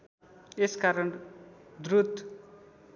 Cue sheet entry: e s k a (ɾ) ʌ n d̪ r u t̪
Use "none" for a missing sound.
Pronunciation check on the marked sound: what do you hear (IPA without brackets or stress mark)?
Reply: ɾ